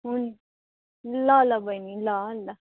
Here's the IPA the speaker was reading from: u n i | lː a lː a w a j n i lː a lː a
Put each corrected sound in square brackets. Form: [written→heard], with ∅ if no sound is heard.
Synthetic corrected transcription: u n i | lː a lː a [w→b] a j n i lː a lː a